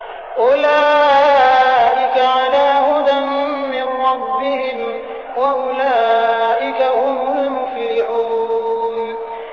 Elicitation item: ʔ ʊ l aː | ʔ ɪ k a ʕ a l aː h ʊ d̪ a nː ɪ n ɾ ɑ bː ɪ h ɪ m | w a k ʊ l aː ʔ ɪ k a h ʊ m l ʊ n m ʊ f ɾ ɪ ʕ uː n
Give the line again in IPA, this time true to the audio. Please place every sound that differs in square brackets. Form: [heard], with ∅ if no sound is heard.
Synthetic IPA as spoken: ʔ ʊ l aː | ʔ ɪ k a ʕ a l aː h ʊ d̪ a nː ɪ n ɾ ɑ bː ɪ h ɪ m | w a [ʔ] ʊ l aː ʔ ɪ k a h ʊ m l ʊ [∅] m ʊ f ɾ ɪ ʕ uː n